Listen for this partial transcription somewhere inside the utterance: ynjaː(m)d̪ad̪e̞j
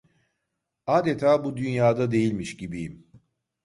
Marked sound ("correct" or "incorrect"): incorrect